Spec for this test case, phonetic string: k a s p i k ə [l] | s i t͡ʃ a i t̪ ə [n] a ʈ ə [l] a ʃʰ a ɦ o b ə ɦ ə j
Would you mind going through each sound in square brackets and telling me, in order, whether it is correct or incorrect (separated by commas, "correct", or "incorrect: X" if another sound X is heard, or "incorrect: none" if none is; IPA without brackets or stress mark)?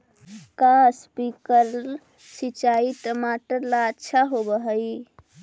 incorrect: ɾ, incorrect: m, correct